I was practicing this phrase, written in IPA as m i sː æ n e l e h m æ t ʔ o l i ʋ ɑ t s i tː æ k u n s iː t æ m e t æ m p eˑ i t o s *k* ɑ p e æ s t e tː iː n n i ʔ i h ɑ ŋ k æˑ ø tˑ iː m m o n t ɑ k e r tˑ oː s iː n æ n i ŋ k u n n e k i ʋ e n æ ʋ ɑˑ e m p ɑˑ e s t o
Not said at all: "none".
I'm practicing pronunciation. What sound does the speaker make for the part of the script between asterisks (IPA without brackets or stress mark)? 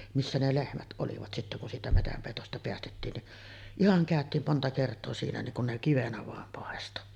t